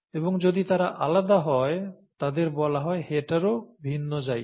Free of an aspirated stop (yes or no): yes